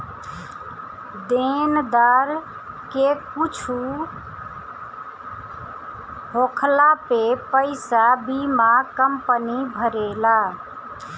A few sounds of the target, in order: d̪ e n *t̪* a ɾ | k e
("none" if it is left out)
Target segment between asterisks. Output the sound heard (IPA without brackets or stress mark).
d̪